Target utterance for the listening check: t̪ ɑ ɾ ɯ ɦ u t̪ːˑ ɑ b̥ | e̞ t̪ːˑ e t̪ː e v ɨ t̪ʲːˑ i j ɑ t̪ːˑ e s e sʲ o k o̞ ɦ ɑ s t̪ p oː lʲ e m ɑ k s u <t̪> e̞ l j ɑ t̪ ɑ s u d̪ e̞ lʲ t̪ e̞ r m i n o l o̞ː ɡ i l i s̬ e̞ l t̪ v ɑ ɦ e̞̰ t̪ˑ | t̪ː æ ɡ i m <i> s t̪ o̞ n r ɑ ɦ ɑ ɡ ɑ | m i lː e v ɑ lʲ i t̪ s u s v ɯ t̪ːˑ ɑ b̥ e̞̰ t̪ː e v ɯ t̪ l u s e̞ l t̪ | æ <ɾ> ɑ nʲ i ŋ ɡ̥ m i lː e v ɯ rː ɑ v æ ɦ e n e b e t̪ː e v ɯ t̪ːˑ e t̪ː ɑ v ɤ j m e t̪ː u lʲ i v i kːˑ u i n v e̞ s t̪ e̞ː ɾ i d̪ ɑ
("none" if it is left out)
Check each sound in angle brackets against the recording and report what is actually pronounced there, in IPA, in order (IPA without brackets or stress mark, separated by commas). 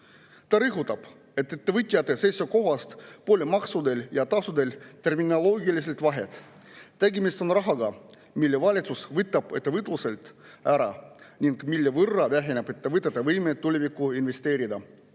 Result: d̪, i, ɾ